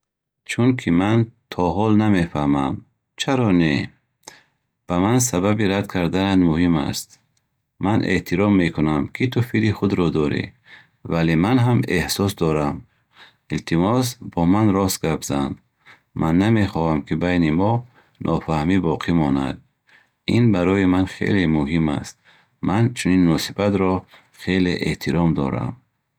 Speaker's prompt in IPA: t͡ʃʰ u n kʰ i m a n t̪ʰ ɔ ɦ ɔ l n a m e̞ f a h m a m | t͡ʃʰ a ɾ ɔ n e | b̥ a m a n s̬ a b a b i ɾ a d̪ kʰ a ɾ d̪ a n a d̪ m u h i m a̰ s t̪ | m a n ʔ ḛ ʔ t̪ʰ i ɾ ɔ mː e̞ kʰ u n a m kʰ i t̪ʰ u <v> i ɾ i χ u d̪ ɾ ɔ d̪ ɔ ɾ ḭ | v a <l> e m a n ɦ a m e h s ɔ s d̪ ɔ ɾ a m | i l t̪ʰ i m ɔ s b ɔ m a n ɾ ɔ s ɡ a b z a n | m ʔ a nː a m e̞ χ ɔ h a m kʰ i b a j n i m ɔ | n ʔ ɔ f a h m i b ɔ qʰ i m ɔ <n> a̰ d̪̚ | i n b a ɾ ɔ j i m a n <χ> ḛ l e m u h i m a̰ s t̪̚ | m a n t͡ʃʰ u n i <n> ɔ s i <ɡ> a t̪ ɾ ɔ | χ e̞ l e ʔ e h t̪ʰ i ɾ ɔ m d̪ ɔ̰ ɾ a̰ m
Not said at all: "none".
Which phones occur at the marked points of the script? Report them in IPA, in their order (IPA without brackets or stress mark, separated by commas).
f, l, n, χ, nː, b